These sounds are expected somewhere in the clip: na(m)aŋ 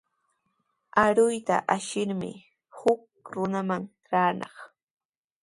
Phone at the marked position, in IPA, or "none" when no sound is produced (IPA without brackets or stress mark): m